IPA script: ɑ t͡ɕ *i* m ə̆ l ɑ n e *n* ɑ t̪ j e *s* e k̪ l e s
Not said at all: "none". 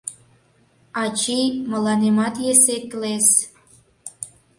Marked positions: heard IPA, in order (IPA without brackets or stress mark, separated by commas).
i, m, s